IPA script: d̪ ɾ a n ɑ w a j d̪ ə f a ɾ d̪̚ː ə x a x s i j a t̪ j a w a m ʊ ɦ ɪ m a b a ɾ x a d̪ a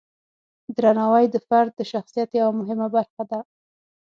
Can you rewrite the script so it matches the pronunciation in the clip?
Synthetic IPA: d̪ ɾ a n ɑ w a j d̪ ə f a ɾ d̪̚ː ə ʃ a x s i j a t̪ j a w a m ʊ ɦ ɪ m a b a ɾ x a d̪ a